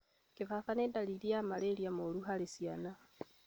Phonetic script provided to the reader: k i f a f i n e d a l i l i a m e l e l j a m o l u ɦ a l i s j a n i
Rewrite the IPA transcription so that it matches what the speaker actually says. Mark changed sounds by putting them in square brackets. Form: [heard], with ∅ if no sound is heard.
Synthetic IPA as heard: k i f a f [a] n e d a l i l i a m [a] l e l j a m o l u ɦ a l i s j a n [a]